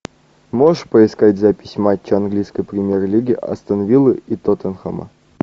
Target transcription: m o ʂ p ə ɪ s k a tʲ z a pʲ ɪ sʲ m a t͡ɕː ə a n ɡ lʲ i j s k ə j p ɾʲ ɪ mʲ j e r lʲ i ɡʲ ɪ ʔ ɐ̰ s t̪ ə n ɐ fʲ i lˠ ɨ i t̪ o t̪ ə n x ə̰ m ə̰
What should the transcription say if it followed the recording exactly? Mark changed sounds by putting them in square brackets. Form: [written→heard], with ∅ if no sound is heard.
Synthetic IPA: m o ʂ p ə ɪ s k a tʲ z a pʲ ɪ sʲ m a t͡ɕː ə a n ɡ lʲ i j s k ə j p ɾʲ ɪ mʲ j e r lʲ i ɡʲ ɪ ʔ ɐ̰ s t̪ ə n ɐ [fʲ→vʲ] i lˠ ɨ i t̪ o t̪ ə n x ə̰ m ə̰